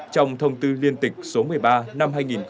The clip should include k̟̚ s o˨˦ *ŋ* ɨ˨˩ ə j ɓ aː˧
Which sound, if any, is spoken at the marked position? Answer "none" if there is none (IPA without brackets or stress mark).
m